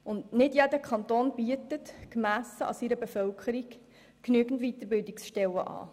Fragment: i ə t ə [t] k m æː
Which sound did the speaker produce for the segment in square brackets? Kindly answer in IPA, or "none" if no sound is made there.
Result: t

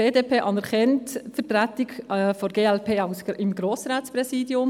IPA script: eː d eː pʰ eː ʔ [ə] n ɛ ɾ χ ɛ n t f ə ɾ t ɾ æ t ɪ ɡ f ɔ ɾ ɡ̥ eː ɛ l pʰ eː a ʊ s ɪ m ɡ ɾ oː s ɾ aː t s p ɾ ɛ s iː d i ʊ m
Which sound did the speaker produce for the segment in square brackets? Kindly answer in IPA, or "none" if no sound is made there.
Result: ɑ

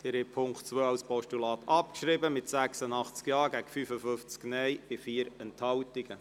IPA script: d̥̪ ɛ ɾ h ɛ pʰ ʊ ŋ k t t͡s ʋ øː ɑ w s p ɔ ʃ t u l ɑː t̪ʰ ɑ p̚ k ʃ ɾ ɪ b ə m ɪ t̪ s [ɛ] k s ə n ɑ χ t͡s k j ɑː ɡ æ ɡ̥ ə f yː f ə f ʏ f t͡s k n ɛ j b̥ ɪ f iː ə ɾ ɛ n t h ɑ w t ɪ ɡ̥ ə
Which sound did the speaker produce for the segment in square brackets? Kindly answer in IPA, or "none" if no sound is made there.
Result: æ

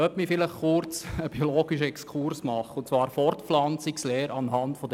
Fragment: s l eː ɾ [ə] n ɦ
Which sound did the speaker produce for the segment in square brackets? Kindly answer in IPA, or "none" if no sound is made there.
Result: ɑ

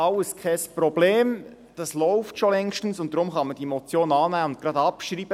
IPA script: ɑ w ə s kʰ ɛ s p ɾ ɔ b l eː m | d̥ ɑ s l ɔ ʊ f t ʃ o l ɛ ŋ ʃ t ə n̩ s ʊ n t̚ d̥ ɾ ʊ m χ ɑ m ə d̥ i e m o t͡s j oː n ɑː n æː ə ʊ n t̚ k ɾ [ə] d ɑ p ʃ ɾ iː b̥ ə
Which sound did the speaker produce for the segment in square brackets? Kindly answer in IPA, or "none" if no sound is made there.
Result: ɑ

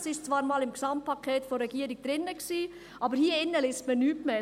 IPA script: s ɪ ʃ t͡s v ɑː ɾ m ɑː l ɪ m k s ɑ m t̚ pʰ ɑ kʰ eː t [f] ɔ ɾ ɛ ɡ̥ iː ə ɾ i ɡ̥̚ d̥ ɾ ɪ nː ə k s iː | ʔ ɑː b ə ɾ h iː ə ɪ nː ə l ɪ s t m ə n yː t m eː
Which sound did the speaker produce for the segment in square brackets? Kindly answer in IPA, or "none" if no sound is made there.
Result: f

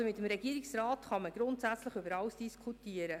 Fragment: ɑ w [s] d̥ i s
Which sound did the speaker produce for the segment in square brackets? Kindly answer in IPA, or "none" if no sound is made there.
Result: s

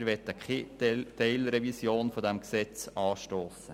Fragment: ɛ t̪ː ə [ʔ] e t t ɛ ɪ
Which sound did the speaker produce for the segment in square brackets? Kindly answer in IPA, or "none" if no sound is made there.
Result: k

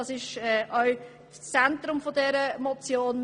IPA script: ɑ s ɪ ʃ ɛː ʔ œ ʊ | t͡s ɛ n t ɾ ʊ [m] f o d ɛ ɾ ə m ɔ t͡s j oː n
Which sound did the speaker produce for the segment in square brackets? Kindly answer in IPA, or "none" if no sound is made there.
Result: m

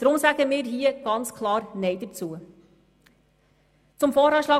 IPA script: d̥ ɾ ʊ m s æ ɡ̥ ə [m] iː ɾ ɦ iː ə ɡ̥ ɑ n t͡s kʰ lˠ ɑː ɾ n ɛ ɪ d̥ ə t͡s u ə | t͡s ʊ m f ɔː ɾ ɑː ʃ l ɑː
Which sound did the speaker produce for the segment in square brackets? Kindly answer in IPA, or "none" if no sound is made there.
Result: m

